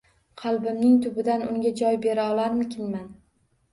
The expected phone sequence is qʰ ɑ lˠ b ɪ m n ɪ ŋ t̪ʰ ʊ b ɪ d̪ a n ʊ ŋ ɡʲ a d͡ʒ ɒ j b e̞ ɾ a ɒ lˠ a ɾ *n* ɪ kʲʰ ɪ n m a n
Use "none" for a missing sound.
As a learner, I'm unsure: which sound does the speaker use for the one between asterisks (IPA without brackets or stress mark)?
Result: m